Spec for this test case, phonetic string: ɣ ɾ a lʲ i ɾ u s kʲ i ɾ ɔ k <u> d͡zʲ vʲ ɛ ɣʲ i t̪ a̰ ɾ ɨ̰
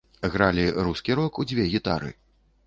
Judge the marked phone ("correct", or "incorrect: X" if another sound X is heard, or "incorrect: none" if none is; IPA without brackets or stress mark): correct